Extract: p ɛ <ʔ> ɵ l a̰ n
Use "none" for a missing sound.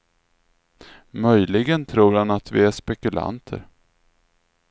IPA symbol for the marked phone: k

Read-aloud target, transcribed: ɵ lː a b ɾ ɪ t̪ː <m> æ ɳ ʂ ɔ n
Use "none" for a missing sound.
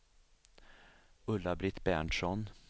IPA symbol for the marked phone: b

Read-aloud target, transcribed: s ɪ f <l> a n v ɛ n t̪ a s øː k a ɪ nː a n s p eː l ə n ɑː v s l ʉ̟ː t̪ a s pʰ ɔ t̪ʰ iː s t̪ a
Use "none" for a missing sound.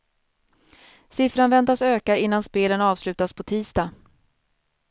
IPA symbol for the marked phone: ɾ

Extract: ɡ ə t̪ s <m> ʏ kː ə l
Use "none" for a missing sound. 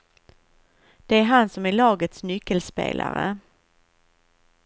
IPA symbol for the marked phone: n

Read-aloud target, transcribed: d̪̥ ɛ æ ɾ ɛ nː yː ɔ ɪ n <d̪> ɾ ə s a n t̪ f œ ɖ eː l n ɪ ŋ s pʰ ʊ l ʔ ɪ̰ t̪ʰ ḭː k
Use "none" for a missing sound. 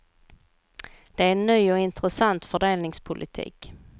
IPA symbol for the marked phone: t̪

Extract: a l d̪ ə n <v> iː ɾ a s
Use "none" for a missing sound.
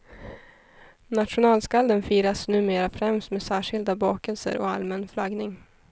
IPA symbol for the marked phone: f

